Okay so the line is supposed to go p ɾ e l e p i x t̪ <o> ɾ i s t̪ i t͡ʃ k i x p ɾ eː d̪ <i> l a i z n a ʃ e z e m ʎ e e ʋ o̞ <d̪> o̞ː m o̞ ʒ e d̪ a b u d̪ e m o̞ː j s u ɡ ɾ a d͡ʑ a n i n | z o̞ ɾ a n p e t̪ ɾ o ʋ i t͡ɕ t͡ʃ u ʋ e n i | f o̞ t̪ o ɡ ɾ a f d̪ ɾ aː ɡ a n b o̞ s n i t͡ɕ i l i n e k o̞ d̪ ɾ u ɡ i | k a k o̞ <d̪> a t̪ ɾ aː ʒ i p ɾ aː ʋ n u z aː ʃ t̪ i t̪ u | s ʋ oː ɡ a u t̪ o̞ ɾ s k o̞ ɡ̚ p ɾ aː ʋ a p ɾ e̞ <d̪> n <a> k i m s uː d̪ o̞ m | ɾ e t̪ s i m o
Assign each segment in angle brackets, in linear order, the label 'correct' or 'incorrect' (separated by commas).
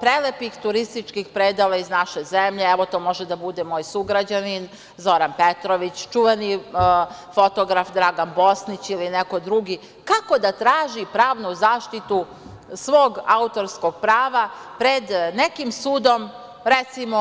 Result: incorrect, incorrect, incorrect, correct, correct, incorrect